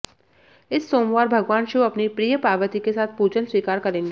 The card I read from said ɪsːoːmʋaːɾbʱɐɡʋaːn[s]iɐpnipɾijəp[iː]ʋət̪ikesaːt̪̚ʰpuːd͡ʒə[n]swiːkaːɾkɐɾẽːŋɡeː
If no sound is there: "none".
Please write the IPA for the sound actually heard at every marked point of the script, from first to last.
ʃ, aː, n

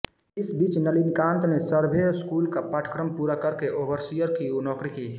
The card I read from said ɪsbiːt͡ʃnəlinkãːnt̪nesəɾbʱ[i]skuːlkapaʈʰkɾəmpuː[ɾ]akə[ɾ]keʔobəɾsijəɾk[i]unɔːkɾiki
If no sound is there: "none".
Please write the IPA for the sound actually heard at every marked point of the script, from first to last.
e, ɾ, ɾ, i

